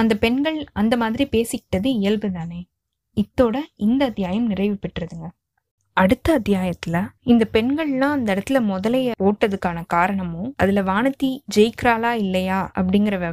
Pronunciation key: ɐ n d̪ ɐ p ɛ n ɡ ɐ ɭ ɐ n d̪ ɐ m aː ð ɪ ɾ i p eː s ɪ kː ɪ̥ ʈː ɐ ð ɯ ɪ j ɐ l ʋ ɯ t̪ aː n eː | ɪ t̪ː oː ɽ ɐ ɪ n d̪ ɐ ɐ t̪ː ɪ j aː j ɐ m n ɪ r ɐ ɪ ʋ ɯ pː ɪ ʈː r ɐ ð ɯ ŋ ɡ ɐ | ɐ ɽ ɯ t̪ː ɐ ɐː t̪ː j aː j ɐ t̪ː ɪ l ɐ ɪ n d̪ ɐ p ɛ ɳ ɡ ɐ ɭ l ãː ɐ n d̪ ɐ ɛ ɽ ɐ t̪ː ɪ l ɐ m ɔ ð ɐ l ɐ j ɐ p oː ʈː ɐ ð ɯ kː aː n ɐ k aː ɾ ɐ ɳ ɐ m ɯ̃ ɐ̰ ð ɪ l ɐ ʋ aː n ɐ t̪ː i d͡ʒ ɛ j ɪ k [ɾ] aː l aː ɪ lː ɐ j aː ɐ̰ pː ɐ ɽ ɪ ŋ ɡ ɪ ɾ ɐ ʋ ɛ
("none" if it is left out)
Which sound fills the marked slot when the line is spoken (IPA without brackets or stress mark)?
ɾ